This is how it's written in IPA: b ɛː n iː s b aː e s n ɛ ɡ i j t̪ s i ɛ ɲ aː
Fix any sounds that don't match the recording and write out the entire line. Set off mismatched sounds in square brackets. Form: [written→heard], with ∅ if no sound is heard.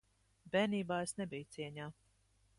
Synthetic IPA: b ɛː n iː [s→∅] b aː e s n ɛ [ɡ→b] i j t̪ s i ɛ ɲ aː